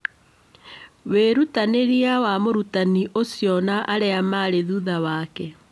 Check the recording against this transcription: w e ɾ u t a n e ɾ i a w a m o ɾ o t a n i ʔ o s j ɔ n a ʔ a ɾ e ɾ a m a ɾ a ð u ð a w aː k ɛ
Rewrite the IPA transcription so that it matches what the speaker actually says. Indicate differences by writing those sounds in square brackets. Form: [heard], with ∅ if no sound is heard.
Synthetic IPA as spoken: w e ɾ u t a n e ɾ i a w a m o ɾ [u] t a n i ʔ o s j ɔ n a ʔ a ɾ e [∅] a m a ɾ [e] ð u ð a w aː k ɛ